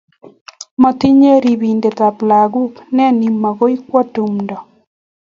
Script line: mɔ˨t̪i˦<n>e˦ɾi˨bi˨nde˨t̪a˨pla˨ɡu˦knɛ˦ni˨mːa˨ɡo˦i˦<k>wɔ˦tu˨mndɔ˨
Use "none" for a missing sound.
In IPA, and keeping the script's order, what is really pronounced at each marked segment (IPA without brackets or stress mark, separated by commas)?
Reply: ɲ, k